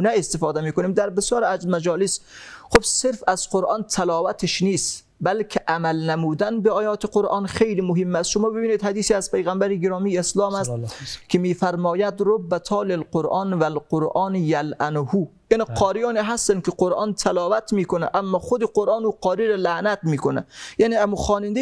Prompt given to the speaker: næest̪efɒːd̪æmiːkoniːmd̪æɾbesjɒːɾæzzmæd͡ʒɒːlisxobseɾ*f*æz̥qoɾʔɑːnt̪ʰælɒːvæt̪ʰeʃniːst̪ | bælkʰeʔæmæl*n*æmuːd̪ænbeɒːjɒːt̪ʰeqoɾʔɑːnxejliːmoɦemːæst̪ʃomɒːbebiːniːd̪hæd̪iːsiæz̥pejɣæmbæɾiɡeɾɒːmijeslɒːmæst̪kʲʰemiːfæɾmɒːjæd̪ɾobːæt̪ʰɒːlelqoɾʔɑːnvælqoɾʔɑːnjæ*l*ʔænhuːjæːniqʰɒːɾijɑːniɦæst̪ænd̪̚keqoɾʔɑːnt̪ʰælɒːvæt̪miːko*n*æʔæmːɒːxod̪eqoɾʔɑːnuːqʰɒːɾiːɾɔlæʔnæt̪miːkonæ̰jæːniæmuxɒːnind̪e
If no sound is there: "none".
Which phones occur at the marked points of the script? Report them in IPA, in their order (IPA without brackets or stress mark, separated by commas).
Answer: f, n, l, n